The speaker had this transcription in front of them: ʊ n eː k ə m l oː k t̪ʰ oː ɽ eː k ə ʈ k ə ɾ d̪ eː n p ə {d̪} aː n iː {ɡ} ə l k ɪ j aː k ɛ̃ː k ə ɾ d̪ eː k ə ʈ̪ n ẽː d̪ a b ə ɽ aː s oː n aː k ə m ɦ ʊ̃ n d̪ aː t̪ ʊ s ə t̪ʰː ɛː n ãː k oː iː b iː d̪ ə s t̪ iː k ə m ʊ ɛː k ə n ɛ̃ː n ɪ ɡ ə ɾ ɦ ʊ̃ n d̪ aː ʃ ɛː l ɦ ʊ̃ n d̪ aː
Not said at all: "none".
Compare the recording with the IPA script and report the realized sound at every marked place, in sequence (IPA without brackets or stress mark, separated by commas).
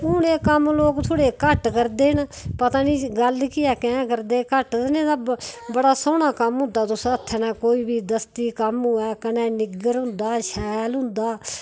t̪, ɡ